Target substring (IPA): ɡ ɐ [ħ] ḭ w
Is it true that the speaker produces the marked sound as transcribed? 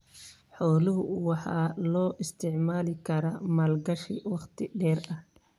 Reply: no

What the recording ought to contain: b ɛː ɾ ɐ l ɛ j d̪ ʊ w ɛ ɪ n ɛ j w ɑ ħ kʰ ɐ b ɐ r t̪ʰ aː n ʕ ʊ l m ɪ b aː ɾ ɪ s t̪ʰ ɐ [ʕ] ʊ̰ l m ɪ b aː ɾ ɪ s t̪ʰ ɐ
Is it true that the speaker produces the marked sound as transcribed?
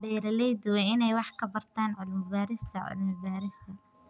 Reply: yes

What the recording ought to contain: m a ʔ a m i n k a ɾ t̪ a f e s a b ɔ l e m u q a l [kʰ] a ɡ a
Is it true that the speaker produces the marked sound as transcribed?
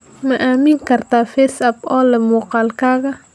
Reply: no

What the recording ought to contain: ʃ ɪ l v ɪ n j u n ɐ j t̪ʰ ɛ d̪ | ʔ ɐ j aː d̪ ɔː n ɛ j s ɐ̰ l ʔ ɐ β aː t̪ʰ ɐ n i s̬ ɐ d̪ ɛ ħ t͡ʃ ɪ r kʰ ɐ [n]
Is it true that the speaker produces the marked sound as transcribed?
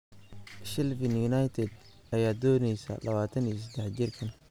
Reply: yes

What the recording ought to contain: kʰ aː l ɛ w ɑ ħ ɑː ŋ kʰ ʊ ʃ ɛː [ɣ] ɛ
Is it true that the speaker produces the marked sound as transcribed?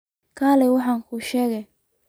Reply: yes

